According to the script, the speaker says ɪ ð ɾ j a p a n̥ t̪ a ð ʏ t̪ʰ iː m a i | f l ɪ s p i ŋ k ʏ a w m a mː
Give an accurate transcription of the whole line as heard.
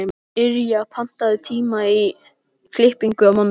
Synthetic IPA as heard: ɪ ɾ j a pʰ a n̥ t̪ a ð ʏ t̪ʰ iː m a i | f l ɪ h p i ŋ k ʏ a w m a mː

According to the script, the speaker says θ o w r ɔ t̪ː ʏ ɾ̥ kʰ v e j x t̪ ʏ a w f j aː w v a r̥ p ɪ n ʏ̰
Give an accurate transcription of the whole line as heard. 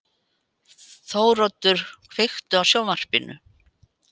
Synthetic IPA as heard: θ o w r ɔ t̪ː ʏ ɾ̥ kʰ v e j x t̪ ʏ a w s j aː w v a r̥ p ɪ n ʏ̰

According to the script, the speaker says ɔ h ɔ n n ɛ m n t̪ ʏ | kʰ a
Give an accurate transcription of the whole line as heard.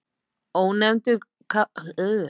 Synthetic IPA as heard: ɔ h u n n ɛ m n t̪ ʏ | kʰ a

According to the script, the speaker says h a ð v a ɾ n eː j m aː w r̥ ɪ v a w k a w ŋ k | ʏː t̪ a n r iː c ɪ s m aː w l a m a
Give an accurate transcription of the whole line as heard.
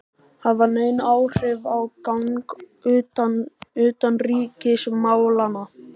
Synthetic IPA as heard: h a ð v a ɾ n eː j n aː w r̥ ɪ v a w k a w ŋ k | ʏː t̪ a n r iː c ɪ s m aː w l a n a

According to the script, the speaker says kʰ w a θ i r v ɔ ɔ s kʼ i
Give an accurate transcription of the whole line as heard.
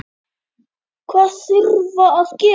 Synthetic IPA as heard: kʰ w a s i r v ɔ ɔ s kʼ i

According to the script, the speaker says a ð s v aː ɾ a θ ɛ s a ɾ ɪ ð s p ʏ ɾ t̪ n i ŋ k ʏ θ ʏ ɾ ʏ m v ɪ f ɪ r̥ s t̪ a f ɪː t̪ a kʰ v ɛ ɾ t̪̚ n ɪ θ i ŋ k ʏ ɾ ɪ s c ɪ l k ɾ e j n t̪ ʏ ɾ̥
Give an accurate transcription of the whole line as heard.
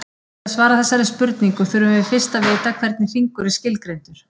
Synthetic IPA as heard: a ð s v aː ɾ a θ ɛ sː a ɾ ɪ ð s p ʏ ɾ t̪ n i ŋ k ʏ θ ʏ ɾ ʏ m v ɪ f ɪ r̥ s t̪ a v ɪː t̪ a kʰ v ɛ ɾ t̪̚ n ɪ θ i ŋ k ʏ ɾ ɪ s c ɪ l k ɾ e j n t̪ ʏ ɾ̥

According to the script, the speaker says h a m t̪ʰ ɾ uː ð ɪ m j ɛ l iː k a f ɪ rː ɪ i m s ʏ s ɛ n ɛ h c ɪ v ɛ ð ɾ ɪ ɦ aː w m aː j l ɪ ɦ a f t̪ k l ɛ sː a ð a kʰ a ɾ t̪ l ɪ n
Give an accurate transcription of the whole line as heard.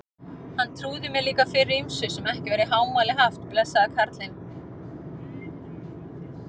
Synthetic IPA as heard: h a n t̪ʰ ɾ uː ð ɪ m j ɛ l iː k a f ɪ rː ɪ i m s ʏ s ɛ m ɛ h c ɪ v ɛ ɾ ɪ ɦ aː w m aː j l ɪ ɦ a f t̪ p l ɛ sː a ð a kʰ a ɾ t̪ l ɪ n

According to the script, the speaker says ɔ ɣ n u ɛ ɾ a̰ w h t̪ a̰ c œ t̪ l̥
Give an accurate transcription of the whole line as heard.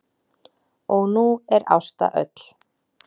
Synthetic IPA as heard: ɔ ɣ n u ɛ ɾ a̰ w s t̪ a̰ ʔ œ t̪ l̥

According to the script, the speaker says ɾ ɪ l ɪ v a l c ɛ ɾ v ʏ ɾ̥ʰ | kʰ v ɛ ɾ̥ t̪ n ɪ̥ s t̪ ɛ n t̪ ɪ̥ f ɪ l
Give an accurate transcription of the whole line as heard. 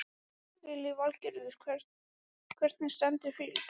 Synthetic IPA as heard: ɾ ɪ l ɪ v a l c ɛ ɾ ð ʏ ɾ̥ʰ | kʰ v ɛ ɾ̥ t̪ n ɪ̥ s t̪ ɛ n t̪ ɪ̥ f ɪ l

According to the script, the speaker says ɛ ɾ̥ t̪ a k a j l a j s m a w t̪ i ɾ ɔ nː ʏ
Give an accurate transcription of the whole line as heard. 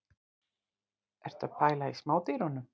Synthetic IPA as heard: ɛ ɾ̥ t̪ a p a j l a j s m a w t̪ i ɾ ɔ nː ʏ

